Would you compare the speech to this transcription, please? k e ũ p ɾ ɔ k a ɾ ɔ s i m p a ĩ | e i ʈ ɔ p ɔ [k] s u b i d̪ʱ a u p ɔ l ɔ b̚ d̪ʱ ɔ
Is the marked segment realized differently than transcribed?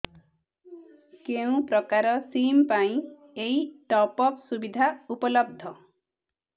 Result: no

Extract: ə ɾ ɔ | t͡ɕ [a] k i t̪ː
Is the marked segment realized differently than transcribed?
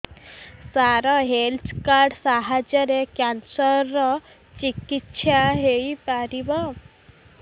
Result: yes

